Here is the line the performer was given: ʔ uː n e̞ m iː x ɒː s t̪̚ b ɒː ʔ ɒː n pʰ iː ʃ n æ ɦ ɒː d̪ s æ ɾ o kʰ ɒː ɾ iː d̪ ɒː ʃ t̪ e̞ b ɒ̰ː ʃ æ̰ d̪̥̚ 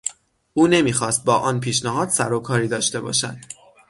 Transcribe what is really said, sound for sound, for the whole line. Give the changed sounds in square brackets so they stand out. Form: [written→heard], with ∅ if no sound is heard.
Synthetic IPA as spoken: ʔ uː n e̞ m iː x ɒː s t̪̚ b ɒː ʔ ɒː n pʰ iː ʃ n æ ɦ ɒː d̪ s æ ɾ o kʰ ɒː ɾ iː d̪ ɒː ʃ t̪ e̞ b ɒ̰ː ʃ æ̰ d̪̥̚